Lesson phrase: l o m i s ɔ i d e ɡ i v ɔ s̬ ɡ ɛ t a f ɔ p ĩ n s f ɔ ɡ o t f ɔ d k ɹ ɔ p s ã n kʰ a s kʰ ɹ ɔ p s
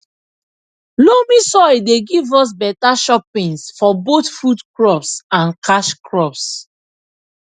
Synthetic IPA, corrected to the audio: l o m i s ɔ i d e ɡ i v ɔ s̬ b ɛ t a ʃ ɔ p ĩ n s f ɔ b o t f u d k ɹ ɔ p s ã n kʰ a ʃ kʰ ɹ ɔ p s